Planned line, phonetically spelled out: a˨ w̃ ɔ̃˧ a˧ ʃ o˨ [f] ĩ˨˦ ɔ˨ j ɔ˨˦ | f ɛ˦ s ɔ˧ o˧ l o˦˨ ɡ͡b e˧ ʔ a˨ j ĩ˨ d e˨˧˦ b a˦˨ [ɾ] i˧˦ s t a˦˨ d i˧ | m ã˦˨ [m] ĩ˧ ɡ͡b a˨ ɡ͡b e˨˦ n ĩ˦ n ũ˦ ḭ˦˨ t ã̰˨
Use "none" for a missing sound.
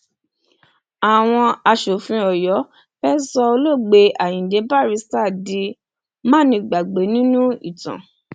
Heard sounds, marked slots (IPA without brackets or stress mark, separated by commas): f, ɾ, n